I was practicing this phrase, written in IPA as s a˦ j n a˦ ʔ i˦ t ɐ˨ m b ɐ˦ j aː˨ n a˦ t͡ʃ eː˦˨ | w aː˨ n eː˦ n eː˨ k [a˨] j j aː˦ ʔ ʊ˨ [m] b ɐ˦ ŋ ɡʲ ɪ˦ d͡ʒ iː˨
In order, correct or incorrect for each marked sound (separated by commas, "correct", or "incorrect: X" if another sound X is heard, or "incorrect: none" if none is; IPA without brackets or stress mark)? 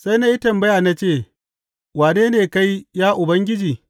incorrect: a˦, incorrect: none